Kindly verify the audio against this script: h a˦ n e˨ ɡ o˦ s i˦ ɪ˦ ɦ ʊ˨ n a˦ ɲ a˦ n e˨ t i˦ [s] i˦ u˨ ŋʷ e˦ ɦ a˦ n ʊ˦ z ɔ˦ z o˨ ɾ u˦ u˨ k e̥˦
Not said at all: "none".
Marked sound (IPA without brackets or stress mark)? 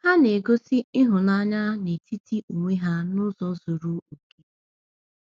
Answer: t